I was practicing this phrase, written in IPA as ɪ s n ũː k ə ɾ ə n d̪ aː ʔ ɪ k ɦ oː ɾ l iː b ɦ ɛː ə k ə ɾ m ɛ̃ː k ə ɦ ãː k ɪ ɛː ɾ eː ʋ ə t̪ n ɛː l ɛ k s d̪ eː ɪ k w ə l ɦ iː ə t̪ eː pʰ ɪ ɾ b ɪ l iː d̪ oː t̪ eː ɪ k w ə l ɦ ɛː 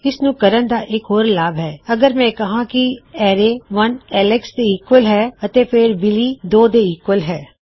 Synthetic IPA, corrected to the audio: ɪ s n ũː k ə ɾ ə n d̪ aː ʔ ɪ k ɦ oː ɾ l aː b ɦ ɛː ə ɡ ə ɾ m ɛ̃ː k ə ɦ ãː k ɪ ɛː ɾ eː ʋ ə n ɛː l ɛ k s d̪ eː ɪ k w ə l ɦ ɛː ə t̪ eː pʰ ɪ ɾ b ɪ l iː d̪ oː d̪ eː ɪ k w ə l ɦ ɛː